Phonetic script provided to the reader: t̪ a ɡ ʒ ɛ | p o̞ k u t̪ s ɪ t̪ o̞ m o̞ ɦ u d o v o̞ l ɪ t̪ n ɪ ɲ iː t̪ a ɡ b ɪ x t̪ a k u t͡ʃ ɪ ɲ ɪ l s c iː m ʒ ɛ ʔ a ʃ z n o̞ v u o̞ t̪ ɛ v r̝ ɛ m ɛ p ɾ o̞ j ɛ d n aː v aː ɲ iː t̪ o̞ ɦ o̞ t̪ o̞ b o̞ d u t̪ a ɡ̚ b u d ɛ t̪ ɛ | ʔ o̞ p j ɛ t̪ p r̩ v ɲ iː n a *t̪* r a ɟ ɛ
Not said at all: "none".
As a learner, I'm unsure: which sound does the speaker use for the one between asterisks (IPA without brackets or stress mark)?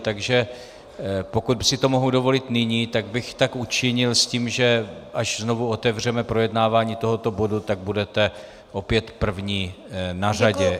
none